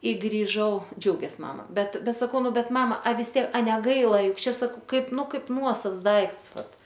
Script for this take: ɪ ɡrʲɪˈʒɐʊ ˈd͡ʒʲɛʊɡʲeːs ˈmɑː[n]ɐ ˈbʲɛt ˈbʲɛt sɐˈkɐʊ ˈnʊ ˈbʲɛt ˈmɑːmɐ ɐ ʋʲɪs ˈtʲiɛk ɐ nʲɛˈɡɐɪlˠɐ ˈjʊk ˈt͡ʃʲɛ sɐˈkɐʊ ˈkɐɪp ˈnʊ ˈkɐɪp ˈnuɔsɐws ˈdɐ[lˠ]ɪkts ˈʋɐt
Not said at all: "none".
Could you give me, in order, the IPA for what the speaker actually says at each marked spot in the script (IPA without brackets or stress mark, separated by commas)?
m, none